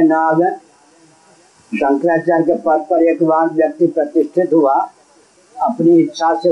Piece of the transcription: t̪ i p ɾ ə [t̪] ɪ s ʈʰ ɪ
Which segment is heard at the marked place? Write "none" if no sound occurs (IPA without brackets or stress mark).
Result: t̪